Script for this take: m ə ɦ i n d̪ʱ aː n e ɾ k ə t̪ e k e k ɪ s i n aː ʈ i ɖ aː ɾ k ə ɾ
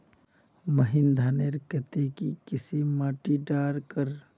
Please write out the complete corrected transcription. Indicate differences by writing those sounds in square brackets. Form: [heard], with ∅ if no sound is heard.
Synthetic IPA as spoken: m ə ɦ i n d̪ʱ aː n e ɾ k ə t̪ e k [i] k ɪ s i [m] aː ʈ i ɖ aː ɾ k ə ɾ